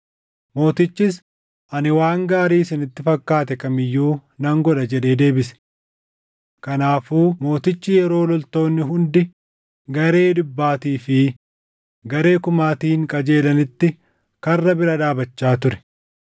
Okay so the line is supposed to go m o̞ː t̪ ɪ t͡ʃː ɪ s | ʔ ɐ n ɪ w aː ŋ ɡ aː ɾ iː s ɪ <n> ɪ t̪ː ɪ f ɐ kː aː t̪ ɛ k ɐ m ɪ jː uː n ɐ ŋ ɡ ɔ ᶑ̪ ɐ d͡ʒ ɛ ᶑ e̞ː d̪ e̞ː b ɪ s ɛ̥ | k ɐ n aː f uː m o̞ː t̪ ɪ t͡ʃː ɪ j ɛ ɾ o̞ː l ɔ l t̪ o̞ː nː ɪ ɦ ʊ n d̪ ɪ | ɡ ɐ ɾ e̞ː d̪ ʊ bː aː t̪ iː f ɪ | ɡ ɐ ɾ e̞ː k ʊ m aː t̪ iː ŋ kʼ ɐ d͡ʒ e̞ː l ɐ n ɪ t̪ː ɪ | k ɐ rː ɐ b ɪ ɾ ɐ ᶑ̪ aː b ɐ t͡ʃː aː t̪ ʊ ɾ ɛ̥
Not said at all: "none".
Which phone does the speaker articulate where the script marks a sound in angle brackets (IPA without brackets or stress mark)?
n